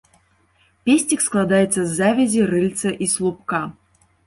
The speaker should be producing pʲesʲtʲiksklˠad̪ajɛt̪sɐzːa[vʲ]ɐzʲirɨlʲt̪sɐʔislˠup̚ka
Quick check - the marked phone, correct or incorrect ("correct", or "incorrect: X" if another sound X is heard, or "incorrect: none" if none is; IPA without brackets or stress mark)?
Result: correct